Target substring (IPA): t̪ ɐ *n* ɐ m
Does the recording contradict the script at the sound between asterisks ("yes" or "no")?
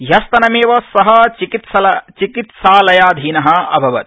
no